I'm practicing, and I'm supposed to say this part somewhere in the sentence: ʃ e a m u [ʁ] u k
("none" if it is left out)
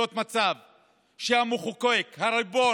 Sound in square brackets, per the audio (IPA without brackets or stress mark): χ